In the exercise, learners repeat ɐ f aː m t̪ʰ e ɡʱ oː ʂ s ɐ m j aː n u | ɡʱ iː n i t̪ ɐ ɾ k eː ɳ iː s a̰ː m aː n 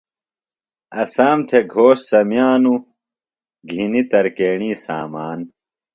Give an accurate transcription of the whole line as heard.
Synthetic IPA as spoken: ɐ s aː m t̪ʰ e ɡʱ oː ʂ s ɐ m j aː n u | ɡʱ i n i t̪ ɐ ɾ k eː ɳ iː s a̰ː m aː n